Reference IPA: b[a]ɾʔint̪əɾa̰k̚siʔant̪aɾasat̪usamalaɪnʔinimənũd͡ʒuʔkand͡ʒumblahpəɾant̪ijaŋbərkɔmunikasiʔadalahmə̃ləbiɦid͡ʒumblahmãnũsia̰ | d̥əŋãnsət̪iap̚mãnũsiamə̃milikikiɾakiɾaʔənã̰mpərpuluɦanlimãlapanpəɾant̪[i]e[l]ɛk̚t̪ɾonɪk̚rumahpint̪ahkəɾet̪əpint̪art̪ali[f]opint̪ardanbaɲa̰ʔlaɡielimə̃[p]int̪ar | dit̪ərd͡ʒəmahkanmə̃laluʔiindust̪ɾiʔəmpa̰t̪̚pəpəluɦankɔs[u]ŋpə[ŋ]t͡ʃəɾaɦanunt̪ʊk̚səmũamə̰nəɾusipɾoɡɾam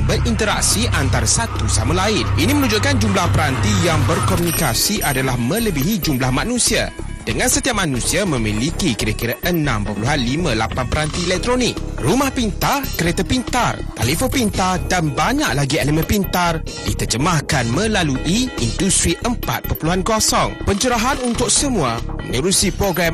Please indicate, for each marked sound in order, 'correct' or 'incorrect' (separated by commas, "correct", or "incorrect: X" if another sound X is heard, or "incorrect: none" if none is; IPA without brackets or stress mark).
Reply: incorrect: ə, correct, correct, correct, correct, incorrect: ɔ, incorrect: ɲ